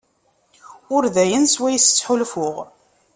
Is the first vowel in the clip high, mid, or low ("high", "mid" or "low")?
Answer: high